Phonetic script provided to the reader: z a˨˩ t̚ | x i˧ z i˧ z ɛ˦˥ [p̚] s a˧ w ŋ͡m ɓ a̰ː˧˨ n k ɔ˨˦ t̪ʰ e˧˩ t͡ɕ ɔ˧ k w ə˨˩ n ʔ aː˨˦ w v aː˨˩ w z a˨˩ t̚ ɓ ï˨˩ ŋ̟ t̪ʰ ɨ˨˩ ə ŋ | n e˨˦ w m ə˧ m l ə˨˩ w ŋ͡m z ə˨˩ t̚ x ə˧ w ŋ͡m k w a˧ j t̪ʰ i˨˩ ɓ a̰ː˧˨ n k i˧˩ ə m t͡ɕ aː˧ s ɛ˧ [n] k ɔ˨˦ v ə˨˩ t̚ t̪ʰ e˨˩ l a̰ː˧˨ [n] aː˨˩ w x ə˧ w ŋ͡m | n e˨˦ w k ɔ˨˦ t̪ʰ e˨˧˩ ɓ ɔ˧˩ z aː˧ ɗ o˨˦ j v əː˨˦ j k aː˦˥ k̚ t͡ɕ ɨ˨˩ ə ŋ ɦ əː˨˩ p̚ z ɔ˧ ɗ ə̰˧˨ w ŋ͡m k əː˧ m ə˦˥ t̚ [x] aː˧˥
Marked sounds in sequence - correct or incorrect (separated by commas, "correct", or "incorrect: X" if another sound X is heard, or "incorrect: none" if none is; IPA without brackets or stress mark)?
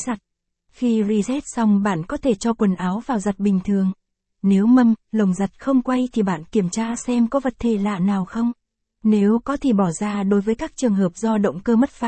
incorrect: t̚, incorrect: m, correct, incorrect: f